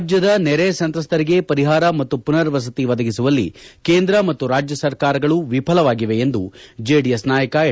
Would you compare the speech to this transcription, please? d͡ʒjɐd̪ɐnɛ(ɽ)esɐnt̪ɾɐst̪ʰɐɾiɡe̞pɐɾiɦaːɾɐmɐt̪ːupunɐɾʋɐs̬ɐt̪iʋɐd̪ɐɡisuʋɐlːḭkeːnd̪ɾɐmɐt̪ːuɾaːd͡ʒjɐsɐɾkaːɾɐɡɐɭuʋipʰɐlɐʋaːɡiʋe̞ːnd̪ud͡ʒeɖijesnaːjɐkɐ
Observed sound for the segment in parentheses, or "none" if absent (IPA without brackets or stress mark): ɾ